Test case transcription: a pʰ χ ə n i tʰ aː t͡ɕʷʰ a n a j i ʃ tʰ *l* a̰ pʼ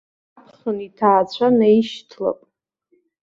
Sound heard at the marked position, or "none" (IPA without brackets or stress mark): l